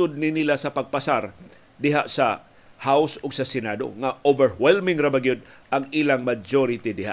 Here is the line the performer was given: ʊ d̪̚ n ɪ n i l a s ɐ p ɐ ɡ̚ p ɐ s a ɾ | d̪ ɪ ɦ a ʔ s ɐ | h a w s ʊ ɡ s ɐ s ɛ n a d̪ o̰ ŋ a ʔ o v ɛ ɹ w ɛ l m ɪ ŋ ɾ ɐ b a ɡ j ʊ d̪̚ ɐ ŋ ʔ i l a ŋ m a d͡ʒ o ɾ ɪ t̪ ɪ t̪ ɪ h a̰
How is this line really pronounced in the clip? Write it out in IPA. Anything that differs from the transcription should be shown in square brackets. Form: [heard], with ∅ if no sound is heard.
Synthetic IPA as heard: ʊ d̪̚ n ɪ n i l a s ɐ p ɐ ɡ̚ p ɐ s a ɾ | d̪ ɪ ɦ a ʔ s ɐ | h a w s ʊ ɡ s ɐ s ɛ n a d̪ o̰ ŋ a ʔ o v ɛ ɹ w ɛ l m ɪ ŋ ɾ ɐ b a ɡ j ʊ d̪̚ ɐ ŋ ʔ i l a ŋ m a d͡ʒ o ɾ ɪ t̪ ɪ [d̪] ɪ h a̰